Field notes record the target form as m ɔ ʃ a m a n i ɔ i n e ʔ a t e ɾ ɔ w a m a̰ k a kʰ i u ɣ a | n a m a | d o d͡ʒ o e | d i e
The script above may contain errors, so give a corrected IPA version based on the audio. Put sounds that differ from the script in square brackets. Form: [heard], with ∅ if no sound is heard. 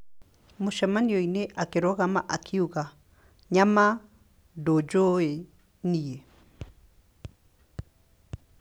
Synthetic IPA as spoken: m [o] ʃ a m a n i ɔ i n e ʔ a [k] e ɾ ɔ [ɣ] a m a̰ [ʔ] a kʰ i u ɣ a | [ɲ] a m a | d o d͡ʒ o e | [n] i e